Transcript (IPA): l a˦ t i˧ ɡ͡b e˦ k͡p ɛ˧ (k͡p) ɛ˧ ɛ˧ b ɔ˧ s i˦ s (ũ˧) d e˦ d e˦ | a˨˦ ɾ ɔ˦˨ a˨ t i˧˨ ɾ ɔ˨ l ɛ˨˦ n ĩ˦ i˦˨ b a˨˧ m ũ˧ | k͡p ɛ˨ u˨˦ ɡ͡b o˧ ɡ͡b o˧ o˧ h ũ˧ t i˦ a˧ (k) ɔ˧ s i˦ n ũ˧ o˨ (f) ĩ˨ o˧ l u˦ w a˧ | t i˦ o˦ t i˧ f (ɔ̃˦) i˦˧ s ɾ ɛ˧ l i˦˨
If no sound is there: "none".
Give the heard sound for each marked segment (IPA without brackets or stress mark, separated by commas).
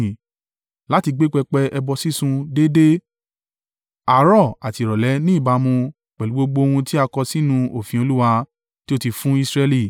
k͡p, ũ˧, k, f, ũ˦